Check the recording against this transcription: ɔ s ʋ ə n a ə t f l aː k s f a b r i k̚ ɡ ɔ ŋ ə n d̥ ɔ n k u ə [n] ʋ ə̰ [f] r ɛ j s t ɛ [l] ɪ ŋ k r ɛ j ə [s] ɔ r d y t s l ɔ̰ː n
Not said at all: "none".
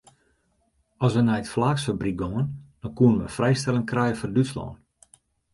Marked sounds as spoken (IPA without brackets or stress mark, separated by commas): n, f, l, f